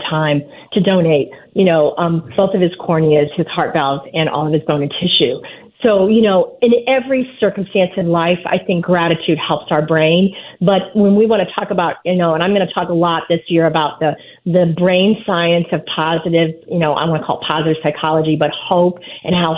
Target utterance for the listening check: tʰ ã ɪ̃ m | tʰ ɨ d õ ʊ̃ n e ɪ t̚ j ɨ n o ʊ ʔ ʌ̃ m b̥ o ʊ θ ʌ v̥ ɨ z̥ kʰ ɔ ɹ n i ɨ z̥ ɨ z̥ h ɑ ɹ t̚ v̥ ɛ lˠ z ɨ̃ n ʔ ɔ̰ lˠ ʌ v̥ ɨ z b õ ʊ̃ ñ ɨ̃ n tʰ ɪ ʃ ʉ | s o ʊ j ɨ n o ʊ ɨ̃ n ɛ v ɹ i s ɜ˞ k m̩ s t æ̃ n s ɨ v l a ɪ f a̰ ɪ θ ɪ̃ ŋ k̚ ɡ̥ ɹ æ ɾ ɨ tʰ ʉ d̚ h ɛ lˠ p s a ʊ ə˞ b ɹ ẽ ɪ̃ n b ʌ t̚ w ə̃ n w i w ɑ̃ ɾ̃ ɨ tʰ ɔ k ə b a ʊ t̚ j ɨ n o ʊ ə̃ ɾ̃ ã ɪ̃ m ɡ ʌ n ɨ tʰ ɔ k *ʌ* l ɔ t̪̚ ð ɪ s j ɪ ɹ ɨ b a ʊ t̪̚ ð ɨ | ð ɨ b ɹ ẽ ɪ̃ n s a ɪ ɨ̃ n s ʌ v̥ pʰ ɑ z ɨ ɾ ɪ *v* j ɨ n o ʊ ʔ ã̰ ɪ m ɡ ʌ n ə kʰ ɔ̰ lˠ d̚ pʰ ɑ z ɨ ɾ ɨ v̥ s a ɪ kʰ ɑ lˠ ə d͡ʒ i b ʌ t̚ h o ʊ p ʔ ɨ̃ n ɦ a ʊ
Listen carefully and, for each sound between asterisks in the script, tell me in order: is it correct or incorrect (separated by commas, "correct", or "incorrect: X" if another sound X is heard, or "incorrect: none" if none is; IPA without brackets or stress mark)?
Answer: incorrect: ə, correct